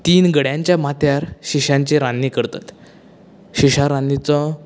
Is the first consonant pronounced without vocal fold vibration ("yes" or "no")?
yes